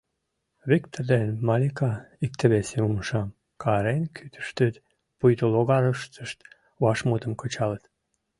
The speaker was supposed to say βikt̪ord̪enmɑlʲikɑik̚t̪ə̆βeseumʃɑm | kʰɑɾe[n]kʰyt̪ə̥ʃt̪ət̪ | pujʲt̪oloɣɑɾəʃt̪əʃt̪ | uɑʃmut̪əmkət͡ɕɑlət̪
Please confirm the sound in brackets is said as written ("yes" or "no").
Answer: yes